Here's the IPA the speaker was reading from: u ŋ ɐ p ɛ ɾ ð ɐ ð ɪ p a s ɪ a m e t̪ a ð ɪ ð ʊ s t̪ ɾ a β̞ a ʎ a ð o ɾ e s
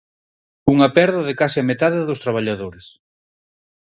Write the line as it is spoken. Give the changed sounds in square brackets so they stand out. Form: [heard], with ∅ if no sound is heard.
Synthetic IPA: u ŋ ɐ p ɛ ɾ ð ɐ ð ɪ [k] a s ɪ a m e t̪ a ð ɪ ð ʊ s t̪ ɾ a β̞ a ʎ a ð o ɾ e s